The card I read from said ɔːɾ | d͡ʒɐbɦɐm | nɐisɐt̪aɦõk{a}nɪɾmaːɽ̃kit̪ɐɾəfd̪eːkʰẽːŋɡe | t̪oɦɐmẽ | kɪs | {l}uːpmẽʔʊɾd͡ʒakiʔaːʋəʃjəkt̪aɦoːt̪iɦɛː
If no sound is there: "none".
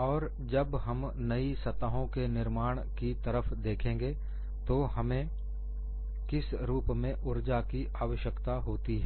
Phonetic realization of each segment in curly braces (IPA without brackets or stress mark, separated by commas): e, ɾ